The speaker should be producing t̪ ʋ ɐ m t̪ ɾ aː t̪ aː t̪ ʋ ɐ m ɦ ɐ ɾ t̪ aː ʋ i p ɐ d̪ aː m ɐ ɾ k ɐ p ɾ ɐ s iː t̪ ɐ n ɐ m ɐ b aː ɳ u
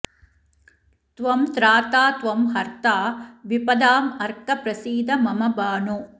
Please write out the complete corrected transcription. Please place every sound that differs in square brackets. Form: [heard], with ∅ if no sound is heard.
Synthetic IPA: t̪ ʋ ɐ m t̪ ɾ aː t̪ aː t̪ ʋ ɐ m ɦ ɐ ɾ t̪ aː ʋ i p ɐ d̪ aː m ɐ ɾ k ɐ p ɾ ɐ s iː [d̪] ɐ [m] ɐ m ɐ b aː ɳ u